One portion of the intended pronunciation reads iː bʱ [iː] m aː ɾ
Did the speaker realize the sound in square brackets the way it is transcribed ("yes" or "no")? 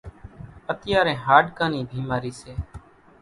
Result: yes